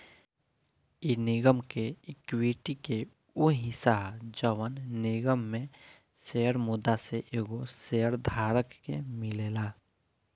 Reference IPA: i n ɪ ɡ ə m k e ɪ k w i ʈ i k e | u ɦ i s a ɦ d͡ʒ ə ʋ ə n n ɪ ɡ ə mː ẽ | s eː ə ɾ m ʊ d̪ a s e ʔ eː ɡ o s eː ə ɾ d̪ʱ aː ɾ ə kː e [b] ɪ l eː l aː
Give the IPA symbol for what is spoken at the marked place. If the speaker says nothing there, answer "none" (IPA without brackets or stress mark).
m